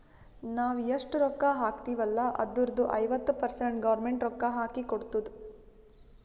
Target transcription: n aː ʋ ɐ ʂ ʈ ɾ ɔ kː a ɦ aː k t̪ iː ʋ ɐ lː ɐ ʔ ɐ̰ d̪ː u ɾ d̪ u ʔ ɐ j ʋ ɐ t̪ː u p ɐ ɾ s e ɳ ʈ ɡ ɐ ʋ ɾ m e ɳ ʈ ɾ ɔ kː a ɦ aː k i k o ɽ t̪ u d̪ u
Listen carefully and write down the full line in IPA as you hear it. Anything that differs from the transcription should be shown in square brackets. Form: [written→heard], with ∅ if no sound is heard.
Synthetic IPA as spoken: n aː ʋ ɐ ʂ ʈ ɾ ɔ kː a ɦ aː k t̪ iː ʋ ɐ lː ɐ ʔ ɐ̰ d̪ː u ɾ d̪ u ʔ ɐ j ʋ ɐ t̪ː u p ɐ ɾ s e ɳ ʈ ɡ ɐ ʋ ɾ m e ɳ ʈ ɾ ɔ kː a ɦ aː k i k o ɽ t̪ u d̪ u